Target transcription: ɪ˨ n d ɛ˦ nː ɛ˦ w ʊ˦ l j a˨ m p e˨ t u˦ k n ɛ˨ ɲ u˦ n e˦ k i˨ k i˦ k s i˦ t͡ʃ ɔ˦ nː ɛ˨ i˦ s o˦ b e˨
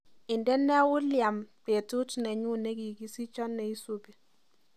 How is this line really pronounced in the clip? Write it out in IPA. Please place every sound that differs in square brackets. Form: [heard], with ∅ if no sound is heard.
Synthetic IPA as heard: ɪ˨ n d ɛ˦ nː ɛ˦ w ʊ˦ l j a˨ m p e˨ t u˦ [t] n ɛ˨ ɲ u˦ n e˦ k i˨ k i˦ [∅] s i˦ t͡ʃ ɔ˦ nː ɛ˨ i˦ s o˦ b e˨